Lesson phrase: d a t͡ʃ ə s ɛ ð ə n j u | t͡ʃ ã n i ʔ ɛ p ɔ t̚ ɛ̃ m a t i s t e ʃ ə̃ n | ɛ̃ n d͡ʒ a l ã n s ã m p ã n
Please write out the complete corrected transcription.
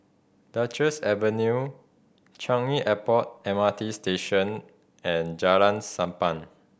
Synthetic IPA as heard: d a t͡ʃ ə s ɛ v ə n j u | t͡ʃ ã ŋ i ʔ ɛ p ɔ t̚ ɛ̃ m a t i s t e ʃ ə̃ n | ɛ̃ n d͡ʒ a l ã n s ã m p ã n